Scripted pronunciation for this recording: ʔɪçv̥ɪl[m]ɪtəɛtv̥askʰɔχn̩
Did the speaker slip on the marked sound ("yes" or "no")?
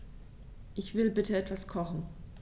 yes